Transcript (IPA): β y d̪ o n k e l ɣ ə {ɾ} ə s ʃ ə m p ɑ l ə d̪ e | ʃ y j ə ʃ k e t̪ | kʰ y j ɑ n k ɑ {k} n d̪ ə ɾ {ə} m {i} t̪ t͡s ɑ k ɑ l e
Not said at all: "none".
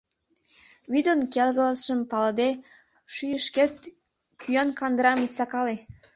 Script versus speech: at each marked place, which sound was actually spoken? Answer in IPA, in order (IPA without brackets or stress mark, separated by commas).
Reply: l, none, ɑ, i